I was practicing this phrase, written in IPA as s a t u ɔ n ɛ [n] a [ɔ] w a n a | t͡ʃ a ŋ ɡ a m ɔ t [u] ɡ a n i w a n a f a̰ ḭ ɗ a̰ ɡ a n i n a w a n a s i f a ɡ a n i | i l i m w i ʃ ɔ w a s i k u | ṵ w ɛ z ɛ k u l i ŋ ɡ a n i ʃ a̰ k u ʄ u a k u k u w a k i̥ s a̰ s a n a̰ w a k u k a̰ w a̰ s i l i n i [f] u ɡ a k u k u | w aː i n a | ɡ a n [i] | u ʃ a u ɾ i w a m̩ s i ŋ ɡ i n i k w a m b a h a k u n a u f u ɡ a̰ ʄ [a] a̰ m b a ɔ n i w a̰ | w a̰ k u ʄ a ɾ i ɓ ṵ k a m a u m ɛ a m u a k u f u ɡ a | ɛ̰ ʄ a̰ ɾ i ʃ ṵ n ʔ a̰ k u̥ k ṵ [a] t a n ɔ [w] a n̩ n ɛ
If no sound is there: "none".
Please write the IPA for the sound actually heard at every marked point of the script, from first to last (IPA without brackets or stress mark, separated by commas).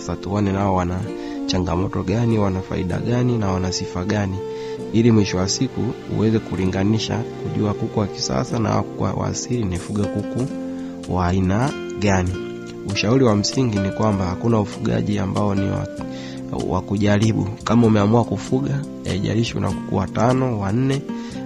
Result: n, ɔ, ɔ, f, i, i, a, w